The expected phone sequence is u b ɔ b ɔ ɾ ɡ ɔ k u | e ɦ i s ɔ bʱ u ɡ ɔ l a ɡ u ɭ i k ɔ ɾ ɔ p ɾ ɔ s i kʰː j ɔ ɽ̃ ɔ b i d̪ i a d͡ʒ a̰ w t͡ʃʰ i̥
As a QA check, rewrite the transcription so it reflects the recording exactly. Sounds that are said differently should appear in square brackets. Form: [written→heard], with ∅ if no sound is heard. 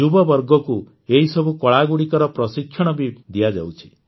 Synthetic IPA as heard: u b ɔ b ɔ ɾ ɡ ɔ k u | e ɦ i s ɔ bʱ u [ɡ→k] ɔ [l→ɭ] a ɡ u [ɭ→ɽ] i k ɔ ɾ ɔ p ɾ ɔ s i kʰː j ɔ ɽ̃ ɔ b i d̪ i a d͡ʒ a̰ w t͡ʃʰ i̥